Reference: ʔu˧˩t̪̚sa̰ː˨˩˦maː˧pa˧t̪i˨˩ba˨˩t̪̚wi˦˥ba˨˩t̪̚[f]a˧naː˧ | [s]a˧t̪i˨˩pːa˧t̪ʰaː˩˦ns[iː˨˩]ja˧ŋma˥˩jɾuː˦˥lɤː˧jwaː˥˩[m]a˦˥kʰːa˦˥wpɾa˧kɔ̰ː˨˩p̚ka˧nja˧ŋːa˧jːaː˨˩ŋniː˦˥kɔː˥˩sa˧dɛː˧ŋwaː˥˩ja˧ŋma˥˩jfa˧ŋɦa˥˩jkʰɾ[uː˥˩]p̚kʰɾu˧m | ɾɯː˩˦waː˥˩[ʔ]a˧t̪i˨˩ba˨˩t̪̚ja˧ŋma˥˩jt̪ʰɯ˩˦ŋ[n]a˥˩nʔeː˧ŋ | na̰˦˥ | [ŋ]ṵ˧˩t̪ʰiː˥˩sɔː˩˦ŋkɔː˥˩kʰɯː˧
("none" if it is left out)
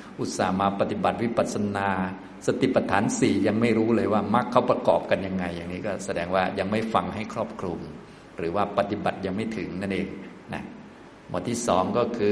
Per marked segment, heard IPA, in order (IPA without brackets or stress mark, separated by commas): s, s, iː˨˩, m, ɔː˥˩, p, n, m